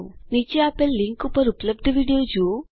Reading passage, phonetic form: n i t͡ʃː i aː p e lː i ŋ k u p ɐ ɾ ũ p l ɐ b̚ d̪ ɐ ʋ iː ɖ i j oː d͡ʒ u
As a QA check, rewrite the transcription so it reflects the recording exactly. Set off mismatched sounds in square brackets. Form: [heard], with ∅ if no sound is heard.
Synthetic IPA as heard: n i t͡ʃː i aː p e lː i ŋ k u p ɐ ɾ [u] p l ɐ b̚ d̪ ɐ ʋ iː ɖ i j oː d͡ʒ u